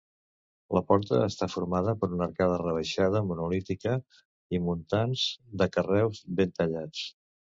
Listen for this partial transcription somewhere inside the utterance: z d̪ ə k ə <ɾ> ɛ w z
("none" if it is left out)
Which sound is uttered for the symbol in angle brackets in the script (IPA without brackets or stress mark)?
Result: r